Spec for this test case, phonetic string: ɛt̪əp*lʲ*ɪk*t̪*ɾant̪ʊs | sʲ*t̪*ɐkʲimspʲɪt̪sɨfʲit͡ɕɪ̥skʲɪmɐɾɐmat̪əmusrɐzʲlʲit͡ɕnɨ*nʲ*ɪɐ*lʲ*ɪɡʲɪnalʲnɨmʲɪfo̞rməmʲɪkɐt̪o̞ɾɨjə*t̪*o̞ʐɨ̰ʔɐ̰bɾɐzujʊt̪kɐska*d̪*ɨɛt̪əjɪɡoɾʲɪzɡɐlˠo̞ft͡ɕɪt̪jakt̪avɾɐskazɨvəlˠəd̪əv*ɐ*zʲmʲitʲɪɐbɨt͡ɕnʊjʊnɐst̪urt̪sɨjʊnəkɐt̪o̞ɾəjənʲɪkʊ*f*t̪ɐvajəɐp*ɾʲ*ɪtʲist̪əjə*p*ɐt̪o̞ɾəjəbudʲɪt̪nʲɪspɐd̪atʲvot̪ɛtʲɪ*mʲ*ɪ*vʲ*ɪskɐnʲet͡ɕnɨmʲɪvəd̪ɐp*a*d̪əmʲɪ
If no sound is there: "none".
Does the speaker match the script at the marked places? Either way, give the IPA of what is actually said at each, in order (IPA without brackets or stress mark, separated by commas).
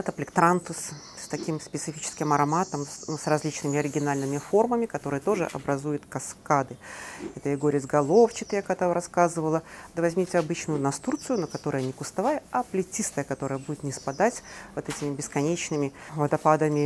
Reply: lʲ, t̪, t̪, mʲ, ɾʲ, t̪, d̪, ɐ, s, lʲ, k, mʲ, bʲ, a